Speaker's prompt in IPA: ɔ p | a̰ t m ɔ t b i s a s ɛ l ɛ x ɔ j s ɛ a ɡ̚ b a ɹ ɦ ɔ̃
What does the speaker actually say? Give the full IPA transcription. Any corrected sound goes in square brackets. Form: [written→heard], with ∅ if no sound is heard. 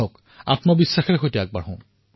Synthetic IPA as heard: ɔ [p→k] | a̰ t m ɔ [t→∅] b i [s→sː] a [s→x] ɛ [l→ɹ] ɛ x [ɔ→o] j [s→t] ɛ a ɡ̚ b a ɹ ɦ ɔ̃

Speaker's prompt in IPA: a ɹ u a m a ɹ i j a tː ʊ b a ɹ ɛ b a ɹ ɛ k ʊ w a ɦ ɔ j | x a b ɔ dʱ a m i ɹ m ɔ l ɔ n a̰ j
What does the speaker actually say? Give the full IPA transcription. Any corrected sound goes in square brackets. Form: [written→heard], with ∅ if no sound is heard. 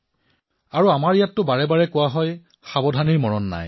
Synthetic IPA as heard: a ɹ u a m a ɹ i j a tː ʊ b a ɹ ɛ b a ɹ ɛ k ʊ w a ɦ ɔ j | x a b ɔ dʱ a [m→n] i ɹ m ɔ [l→ɹ] ɔ [n→nː] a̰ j

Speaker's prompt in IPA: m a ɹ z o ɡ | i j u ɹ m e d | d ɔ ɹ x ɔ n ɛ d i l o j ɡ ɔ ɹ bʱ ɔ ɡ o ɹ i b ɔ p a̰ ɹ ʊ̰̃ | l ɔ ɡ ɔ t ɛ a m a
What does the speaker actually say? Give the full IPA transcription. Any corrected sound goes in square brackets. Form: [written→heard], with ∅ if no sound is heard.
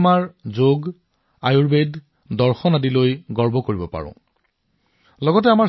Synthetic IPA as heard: m a ɹ z o ɡ | [i→a] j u ɹ [m→b] e d | d ɔ ɹ x ɔ n [ɛ→a] d i l o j ɡ ɔ ɹ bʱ ɔ [ɡ→k] o ɹ i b ɔ p a̰ ɹ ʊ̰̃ | l ɔ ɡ ɔ t ɛ a m a

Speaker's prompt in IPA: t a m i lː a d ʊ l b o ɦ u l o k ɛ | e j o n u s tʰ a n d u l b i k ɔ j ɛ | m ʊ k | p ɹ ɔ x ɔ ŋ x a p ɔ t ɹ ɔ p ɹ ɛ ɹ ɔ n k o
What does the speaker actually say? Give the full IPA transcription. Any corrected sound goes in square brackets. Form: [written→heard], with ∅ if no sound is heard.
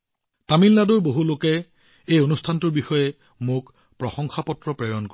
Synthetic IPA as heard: t a m i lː a d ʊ [l→ɹ] b o ɦ u l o k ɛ | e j o n u s tʰ a n [d→t] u [l→ɹ] b i [k→x] ɔ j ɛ | m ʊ k | p ɹ ɔ x ɔ ŋ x a p ɔ t ɹ ɔ p ɹ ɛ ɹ ɔ n k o

